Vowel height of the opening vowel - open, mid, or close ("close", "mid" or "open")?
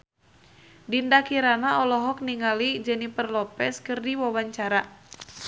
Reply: close